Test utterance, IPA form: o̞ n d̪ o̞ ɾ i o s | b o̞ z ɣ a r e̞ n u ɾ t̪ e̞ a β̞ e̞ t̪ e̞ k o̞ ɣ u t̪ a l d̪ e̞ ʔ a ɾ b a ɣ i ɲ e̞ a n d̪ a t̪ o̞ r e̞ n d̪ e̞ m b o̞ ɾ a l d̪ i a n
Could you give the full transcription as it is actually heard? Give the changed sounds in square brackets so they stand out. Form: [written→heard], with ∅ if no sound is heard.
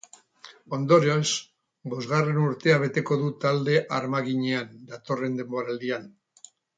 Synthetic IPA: o̞ n d̪ o̞ ɾ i o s | b o̞ z ɣ a r e̞ n u ɾ t̪ e̞ a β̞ e̞ t̪ e̞ k o̞ [ɣ→ð] u t̪ a l d̪ e̞ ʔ a ɾ [b→m] a ɣ i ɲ e̞ a n d̪ a t̪ o̞ r e̞ n d̪ e̞ m b o̞ ɾ a l d̪ i a n